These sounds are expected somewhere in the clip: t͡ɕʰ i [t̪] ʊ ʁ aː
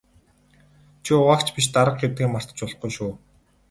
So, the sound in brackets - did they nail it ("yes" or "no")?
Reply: no